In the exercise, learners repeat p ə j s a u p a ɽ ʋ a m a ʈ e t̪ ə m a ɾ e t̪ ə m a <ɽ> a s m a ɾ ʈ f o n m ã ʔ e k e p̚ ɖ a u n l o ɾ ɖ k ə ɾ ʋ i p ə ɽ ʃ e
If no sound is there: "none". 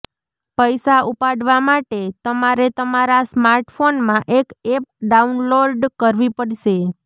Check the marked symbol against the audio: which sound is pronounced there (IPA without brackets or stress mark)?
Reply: ɾ